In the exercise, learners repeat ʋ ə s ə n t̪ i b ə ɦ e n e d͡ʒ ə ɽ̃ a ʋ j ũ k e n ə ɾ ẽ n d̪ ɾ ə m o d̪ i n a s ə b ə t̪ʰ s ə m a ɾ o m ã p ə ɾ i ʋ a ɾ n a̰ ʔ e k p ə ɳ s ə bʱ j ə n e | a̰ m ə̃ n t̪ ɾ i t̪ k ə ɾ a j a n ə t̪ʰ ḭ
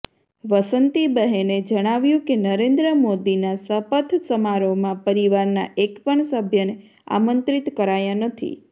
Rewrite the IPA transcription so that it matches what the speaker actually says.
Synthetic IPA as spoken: ʋ ə s ə n t̪ i b ə ɦ e n e d͡ʒ ə ɽ̃ a ʋ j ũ k e n ə ɾ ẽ n d̪ ɾ ə m o d̪ i n a s ə p ə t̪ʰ s ə m a ɾ o m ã p ə ɾ i ʋ a ɾ n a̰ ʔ e k p ə ɳ s ə bʱ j ə n e | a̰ m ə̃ n t̪ ɾ i t̪ k ə ɾ a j a n ə t̪ʰ ḭ